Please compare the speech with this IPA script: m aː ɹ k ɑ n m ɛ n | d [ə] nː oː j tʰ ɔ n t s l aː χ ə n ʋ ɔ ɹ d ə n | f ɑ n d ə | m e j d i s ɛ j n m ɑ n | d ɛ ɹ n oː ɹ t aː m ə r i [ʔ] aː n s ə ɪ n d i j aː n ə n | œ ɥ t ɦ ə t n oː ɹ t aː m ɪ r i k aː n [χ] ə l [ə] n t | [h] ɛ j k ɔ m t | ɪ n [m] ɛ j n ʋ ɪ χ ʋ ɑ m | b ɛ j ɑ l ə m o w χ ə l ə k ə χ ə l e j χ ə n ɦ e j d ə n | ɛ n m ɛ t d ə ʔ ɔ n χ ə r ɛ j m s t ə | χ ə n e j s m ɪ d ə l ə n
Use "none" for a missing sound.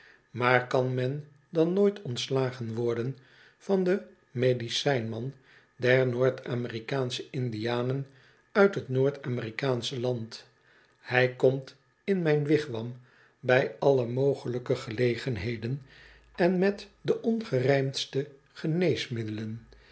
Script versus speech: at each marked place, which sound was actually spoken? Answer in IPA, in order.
ɑ, k, s, ɑ, h, m

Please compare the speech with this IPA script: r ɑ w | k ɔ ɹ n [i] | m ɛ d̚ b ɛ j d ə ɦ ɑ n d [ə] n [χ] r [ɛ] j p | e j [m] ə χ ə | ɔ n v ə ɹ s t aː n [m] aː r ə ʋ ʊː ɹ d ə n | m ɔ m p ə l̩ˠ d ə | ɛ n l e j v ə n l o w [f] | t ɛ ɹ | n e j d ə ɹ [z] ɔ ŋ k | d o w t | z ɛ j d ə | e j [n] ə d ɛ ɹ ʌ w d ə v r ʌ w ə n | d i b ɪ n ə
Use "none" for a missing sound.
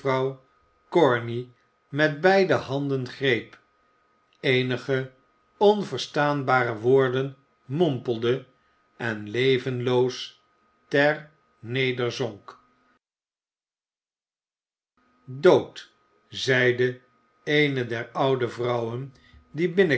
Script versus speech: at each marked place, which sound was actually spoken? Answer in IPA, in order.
i, ə, χ, e, n, b, s, z, n

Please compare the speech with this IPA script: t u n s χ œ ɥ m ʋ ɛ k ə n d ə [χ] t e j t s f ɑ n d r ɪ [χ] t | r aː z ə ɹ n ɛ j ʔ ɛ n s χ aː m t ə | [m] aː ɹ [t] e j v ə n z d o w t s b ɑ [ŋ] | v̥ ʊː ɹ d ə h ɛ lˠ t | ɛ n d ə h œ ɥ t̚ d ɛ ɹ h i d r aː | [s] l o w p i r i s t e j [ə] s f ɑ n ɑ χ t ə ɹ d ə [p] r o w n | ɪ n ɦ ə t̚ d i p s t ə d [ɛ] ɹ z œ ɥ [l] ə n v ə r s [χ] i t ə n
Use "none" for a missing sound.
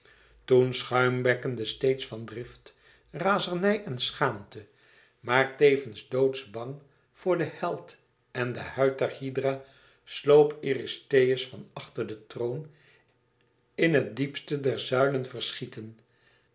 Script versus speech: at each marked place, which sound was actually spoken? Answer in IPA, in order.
s, f, m, t, ŋ, s, ə, t, ɛ, l, χ

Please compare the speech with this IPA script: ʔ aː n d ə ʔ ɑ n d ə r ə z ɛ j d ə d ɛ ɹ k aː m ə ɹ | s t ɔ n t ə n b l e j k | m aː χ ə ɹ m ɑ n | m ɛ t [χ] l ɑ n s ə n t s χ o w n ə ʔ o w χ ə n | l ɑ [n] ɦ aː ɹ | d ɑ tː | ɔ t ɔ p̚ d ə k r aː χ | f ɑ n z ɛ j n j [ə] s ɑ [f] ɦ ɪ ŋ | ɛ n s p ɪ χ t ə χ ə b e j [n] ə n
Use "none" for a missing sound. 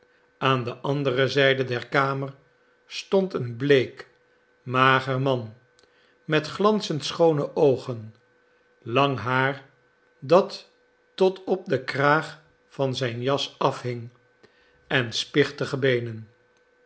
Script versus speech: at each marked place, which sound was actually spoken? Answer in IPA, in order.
χ, ŋ, ɑ, f, n

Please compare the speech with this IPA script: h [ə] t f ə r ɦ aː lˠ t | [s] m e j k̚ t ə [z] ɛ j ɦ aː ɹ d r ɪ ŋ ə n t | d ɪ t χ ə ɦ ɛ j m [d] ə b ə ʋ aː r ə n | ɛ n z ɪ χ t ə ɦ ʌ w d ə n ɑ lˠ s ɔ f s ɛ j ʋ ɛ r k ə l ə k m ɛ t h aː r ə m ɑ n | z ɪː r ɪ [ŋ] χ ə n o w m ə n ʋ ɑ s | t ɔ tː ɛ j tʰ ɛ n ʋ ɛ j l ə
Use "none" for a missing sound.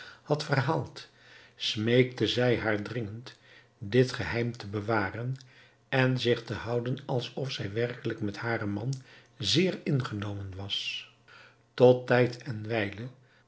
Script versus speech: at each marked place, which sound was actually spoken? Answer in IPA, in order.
ɑ, s, z, t, n

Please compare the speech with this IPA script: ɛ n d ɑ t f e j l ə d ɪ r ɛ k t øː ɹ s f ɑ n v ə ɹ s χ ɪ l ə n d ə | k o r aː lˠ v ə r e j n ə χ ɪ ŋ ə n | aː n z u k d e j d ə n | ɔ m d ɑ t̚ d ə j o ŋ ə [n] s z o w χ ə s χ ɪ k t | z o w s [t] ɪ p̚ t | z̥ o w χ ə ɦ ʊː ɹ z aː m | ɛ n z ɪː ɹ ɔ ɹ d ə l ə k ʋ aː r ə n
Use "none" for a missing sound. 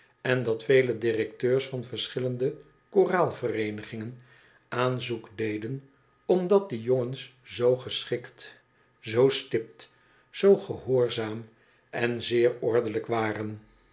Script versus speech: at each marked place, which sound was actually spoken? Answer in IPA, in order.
n, t

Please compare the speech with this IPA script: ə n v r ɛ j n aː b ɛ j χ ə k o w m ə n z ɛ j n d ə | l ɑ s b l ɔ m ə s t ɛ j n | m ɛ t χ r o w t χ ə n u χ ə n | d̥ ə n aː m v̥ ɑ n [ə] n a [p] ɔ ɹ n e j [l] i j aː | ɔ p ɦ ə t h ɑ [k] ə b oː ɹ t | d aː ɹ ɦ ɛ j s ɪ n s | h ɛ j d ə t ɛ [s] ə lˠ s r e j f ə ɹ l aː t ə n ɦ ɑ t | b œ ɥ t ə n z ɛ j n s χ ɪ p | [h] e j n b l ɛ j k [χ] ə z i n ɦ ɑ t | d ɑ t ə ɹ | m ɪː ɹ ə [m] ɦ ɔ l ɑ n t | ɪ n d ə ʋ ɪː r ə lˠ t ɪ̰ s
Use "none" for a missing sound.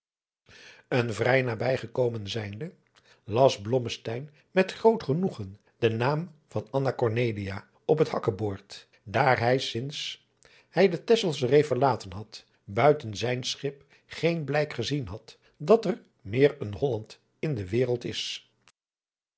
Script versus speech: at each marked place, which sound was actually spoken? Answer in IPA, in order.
ɑ, k, l, k, s, χ, χ, n

